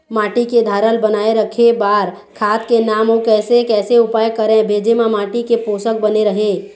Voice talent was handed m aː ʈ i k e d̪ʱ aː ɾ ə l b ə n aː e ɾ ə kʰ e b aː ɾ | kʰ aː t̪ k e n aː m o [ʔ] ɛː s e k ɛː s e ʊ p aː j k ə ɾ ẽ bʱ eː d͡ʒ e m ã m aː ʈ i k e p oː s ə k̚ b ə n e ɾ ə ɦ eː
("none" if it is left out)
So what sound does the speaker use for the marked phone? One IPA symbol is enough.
k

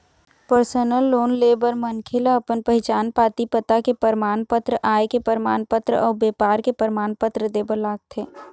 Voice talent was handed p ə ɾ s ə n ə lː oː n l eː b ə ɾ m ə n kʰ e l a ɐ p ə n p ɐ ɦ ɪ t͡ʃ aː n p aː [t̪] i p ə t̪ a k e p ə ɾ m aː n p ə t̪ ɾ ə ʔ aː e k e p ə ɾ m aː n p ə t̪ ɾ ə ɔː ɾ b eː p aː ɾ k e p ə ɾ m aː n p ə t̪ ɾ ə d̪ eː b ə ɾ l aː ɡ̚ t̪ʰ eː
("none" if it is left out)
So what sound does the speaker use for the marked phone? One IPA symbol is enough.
t̪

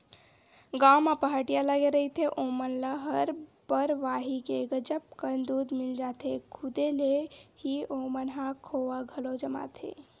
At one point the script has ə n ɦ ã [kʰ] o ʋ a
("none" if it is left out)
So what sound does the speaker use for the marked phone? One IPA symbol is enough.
kʰ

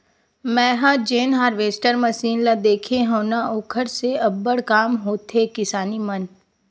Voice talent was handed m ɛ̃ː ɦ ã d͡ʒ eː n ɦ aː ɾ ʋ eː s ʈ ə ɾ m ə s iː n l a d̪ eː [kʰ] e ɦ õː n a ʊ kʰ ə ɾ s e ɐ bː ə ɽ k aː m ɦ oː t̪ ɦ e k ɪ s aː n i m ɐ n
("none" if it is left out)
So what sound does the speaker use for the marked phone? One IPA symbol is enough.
kʰ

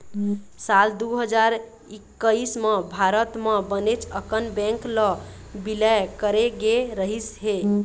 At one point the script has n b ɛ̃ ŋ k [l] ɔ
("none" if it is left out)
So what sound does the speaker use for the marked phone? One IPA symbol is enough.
l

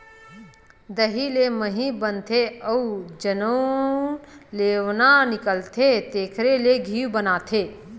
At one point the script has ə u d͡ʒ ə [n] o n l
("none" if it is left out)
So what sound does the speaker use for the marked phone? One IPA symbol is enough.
n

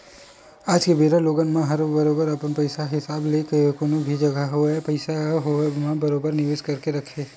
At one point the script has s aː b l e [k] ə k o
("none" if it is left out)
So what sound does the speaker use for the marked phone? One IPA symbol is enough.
k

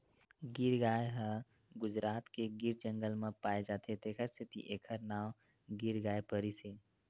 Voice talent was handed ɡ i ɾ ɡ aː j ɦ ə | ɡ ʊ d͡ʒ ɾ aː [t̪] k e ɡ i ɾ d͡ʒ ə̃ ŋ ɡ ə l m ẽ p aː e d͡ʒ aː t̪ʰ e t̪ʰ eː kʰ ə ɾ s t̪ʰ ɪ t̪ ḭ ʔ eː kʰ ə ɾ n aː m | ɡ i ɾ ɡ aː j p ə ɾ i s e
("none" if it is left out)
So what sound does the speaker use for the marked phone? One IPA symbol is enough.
t̪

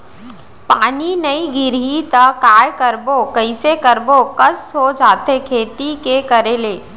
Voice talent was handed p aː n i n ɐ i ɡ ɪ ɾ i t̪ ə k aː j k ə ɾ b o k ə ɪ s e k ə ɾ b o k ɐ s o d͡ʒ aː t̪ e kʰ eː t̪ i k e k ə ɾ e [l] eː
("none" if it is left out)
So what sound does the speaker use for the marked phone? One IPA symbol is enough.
l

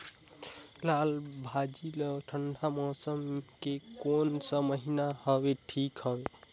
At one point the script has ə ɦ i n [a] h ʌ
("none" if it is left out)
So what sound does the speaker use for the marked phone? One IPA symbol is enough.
a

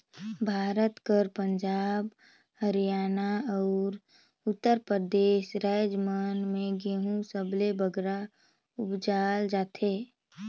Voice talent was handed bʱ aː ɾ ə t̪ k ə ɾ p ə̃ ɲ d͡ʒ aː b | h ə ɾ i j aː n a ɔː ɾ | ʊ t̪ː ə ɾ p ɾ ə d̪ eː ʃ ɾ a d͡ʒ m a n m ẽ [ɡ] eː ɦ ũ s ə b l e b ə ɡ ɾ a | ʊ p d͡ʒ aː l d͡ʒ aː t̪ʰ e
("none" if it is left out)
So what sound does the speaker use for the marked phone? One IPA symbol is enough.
ɡ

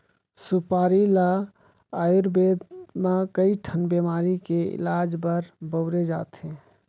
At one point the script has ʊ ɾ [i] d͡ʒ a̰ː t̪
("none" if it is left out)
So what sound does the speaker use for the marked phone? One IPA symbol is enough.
e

